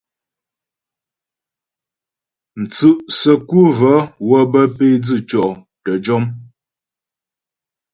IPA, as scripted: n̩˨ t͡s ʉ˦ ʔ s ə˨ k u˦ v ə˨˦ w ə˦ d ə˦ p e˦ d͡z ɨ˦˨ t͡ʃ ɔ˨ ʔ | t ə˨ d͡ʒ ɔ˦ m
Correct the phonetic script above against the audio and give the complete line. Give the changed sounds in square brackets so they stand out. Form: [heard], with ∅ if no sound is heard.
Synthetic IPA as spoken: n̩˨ t͡s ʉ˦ ʔ s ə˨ k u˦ v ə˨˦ w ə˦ [b] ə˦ p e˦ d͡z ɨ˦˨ t͡ʃ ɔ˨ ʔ | t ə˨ d͡ʒ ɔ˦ m